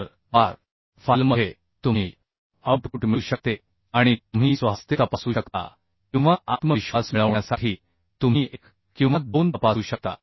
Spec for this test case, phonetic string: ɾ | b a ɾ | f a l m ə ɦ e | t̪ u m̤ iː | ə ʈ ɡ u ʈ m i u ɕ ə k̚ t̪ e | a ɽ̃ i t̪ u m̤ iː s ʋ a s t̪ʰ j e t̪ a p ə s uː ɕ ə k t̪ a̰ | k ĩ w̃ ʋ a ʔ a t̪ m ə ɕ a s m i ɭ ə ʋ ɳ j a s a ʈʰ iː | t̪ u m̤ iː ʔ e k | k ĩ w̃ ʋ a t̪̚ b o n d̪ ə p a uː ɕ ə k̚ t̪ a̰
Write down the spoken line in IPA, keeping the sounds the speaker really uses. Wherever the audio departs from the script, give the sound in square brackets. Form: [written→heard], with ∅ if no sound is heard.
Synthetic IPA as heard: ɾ | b a ɾ | f a l m ə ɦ e | t̪ u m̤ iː | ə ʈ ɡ u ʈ m i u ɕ ə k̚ t̪ e | a ɽ̃ i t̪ u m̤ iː s ʋ a s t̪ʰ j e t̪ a p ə s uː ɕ ə k t̪ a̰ | k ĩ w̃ ʋ a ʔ a t̪ m ə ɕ a s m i ɭ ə ʋ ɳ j a s a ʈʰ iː | t̪ u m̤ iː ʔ e k | k ĩ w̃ ʋ a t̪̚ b o n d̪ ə p a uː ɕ ə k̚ t̪ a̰